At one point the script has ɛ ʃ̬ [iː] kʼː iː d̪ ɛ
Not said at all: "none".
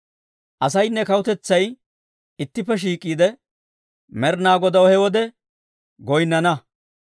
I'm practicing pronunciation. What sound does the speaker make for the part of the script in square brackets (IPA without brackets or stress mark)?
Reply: iː